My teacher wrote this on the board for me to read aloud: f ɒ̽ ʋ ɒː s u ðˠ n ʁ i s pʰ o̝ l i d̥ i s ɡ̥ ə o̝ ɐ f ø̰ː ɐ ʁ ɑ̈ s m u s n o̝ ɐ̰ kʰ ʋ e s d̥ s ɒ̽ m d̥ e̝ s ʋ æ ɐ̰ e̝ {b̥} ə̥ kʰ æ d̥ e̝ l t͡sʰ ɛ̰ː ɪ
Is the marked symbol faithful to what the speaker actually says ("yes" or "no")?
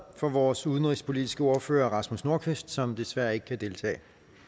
no